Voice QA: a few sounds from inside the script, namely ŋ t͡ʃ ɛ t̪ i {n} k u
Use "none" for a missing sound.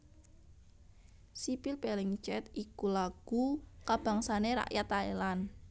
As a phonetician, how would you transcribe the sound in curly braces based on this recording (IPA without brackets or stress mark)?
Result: none